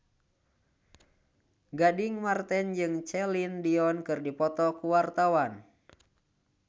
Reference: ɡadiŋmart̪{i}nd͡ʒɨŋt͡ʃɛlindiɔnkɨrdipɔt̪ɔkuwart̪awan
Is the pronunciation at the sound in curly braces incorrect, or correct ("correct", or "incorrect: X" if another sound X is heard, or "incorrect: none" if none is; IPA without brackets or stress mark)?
incorrect: ɛ